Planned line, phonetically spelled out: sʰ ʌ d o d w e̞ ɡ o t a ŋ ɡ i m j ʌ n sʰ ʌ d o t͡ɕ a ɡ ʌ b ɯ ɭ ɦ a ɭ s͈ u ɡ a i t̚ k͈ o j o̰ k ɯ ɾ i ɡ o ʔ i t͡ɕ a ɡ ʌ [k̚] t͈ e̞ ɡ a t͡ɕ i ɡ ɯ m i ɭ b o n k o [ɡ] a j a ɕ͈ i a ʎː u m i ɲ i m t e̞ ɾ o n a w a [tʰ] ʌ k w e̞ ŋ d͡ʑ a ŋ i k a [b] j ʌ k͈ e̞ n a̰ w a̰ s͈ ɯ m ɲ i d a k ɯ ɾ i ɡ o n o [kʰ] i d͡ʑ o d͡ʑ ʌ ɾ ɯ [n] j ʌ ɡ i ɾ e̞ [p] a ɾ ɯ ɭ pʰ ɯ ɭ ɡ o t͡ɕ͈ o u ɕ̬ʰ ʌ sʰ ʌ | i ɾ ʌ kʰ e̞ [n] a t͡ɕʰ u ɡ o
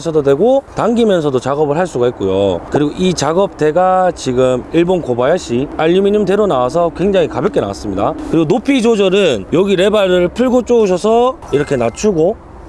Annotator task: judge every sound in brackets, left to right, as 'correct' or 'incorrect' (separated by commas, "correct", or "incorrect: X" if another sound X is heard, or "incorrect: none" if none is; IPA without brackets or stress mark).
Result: incorrect: p̚, incorrect: b, incorrect: sʰ, correct, incorrect: pʰ, correct, incorrect: b, correct